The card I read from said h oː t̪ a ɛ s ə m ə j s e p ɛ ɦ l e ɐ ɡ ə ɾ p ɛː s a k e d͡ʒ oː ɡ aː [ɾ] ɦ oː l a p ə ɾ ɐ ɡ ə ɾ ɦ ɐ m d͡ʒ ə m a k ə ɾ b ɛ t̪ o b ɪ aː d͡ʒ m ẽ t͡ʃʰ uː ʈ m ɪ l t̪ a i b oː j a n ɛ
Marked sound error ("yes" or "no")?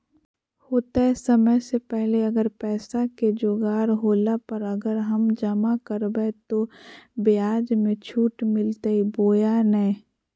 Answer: no